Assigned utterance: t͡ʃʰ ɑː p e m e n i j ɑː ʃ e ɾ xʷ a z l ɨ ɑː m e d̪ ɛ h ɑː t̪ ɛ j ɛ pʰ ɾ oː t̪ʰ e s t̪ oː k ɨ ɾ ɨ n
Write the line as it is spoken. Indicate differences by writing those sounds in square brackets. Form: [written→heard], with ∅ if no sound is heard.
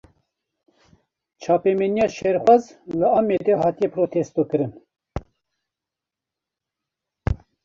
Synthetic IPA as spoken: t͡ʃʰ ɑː p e m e n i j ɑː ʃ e ɾ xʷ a z l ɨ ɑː m e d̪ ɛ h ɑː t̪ [ɛ→i] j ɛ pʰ ɾ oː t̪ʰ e s t̪ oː k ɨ ɾ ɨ n